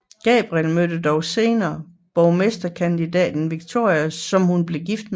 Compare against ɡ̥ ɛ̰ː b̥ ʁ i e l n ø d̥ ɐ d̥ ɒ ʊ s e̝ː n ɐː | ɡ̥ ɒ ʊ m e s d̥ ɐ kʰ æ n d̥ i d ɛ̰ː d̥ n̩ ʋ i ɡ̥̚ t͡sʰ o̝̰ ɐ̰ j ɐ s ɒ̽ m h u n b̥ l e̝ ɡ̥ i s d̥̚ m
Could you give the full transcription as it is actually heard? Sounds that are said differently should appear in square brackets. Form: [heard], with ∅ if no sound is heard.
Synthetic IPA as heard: ɡ̥ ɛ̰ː b̥ ʁ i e l [m] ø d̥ [ə] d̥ ɒ ʊ s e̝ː n ɐː | [b̥] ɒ ʊ m e s d̥ ɐ kʰ æ n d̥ i d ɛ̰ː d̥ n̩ ʋ i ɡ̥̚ t͡sʰ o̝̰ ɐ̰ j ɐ s ɒ̽ m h u n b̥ l e̝ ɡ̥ i [f] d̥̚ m